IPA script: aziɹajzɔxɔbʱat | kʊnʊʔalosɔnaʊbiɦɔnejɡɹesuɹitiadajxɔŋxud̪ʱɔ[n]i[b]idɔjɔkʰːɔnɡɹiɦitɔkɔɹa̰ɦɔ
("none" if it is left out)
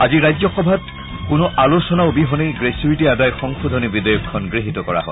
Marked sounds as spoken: n, b

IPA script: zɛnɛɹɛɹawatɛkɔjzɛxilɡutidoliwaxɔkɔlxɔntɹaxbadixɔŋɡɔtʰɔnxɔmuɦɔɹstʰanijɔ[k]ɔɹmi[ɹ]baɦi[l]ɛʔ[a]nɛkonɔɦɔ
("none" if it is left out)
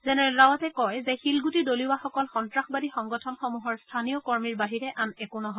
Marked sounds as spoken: k, ɹ, ɹ, a

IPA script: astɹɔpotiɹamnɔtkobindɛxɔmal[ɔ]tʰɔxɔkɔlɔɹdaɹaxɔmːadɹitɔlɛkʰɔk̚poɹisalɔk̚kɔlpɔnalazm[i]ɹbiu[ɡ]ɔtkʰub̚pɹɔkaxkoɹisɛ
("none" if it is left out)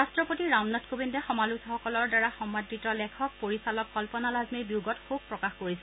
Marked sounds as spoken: u, i, ɡ

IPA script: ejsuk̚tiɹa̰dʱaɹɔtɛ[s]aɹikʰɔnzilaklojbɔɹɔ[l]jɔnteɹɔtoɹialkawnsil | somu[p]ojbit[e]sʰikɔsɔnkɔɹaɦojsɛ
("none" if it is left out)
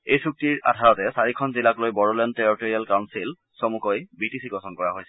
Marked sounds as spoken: s, l, k, i

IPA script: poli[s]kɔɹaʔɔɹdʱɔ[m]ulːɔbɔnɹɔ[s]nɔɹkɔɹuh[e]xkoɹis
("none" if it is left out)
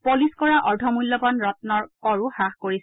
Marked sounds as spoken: s, m, t, a

